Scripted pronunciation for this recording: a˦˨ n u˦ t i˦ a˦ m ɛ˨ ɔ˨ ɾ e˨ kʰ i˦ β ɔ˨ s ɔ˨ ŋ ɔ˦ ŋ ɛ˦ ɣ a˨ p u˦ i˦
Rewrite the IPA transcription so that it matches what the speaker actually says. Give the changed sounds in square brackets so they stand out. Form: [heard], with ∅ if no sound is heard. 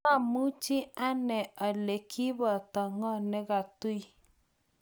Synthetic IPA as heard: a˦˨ [m] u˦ [t͡ʃ] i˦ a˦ [n] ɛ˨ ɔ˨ [l] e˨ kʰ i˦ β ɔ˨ [t] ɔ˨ ŋ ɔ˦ [n] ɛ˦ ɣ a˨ [t] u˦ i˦